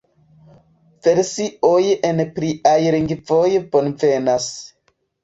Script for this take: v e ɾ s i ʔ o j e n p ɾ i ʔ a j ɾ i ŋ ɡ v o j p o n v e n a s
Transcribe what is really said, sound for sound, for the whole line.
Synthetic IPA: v e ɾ s i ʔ o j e n p ɾ i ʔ a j ɾ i ŋ ɡ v o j p o n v e n a s